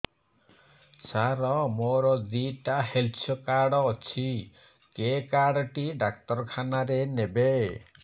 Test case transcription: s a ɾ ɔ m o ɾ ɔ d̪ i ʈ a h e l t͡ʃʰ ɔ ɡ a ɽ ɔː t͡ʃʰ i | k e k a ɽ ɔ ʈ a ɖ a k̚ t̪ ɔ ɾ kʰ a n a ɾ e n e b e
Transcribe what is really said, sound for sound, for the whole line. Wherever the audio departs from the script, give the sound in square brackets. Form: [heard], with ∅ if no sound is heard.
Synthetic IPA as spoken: s a ɾ ɔ m o ɾ ɔ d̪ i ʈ a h e l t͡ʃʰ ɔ [k] a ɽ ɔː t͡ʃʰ i | k e k a ɽ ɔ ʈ [i] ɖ a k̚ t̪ ɔ ɾ kʰ a n a ɾ e n e b e